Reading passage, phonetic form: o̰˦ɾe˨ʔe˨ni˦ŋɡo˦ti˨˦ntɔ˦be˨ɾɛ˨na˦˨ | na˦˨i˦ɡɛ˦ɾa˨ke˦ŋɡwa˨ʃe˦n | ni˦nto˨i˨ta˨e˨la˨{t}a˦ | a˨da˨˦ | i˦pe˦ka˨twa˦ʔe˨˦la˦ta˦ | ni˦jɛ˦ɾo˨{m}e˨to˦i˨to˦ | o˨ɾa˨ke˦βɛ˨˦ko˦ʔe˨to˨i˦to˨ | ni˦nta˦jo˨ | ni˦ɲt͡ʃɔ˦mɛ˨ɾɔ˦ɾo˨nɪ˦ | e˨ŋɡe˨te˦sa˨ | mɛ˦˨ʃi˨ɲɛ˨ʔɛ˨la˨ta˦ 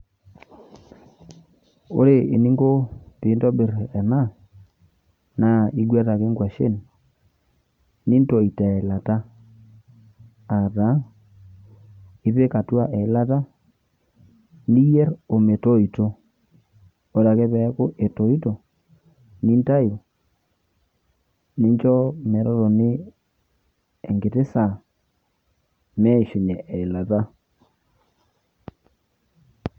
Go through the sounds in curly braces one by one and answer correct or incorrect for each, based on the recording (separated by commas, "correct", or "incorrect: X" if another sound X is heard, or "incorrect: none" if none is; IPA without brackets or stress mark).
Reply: correct, correct